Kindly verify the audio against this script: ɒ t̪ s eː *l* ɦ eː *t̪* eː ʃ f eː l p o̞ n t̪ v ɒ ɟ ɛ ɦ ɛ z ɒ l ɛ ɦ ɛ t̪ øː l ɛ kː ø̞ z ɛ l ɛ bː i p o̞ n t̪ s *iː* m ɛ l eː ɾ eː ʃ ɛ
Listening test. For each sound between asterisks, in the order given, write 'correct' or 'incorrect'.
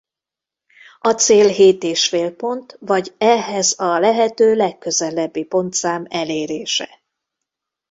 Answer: correct, correct, incorrect

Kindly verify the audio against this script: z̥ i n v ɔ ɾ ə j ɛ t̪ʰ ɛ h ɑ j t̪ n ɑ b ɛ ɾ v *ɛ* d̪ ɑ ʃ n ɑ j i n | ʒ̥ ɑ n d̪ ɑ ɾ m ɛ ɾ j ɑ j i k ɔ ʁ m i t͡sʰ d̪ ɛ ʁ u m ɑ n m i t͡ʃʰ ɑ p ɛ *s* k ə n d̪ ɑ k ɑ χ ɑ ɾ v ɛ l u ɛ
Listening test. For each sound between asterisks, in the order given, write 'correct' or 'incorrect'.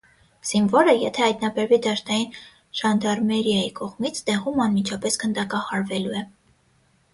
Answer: incorrect, correct

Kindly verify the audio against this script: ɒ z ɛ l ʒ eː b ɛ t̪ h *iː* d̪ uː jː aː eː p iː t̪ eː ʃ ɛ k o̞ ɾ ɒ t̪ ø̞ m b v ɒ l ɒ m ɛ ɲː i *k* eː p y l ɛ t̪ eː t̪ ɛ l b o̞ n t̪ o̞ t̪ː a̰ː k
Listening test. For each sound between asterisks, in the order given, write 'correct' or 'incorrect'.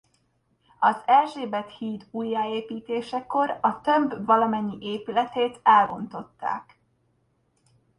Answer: correct, incorrect

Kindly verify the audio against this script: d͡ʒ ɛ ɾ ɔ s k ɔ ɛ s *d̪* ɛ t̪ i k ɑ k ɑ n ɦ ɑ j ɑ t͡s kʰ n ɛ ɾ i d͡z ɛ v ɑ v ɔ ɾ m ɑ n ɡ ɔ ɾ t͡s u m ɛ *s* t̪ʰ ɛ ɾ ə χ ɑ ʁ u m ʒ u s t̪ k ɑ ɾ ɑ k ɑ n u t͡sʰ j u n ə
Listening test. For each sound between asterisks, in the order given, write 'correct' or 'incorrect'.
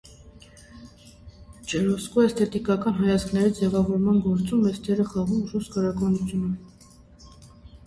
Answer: incorrect, correct

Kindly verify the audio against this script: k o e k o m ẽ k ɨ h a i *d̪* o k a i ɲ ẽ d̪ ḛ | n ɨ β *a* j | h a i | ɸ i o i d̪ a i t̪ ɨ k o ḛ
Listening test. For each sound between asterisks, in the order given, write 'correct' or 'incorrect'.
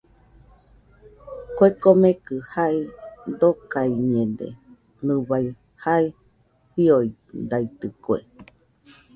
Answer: correct, correct

